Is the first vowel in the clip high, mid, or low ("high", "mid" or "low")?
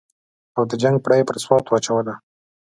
low